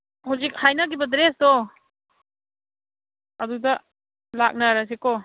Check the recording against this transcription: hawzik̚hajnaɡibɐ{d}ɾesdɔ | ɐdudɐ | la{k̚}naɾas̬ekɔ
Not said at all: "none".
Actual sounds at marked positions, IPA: d, k̚

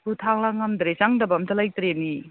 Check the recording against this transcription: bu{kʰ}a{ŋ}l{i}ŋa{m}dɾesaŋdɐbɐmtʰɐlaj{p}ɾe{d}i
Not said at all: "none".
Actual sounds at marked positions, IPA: tʰ, ŋ, a, m, t, n

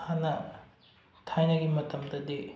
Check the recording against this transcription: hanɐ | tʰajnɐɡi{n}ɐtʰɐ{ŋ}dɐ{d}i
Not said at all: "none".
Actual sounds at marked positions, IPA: m, m, d

